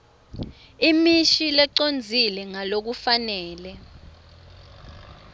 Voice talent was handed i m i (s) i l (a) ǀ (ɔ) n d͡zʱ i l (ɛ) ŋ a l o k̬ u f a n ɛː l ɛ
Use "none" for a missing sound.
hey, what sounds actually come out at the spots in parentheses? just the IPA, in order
ʃ, ɛ, o, ɛ

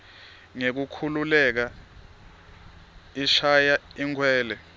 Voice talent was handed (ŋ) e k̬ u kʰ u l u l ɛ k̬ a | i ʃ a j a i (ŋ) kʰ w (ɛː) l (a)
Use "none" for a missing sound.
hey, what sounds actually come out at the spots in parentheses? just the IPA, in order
ŋ, ŋ, ɛː, ɛ

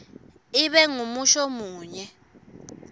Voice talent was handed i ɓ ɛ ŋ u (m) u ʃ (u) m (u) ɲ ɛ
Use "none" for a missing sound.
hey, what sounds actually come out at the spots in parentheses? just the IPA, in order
m, ɔ, uː

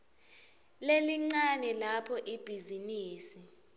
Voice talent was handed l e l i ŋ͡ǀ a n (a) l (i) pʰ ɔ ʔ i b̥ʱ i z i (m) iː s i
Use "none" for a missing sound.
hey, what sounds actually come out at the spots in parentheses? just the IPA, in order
ɛ, a, n

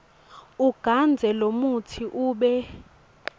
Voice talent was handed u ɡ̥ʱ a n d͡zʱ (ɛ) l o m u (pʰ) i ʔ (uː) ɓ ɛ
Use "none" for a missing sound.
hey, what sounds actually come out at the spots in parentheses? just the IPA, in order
ɛ, tʰ, uː

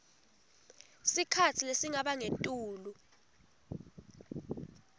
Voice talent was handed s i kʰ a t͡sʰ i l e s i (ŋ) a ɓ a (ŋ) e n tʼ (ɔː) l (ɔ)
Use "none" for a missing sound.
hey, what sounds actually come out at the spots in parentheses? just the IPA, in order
ŋ, ŋ, uː, u

